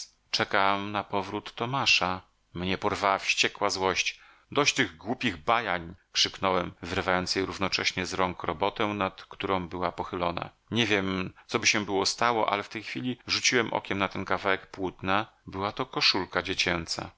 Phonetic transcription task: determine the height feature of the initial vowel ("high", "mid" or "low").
mid